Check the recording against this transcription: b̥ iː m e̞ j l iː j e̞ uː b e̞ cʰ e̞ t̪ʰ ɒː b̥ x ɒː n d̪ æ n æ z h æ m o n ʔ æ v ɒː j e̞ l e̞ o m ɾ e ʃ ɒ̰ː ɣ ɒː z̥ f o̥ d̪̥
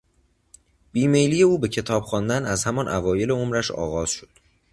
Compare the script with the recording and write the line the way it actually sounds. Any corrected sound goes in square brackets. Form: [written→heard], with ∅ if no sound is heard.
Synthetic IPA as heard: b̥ iː m e̞ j l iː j e̞ uː b e̞ cʰ e̞ t̪ʰ ɒː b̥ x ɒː n d̪ æ n æ z h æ m [o→ɒ] n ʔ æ v ɒː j e̞ l e̞ o m ɾ [e→æ] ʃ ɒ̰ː ɣ ɒː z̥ [f→ʃ] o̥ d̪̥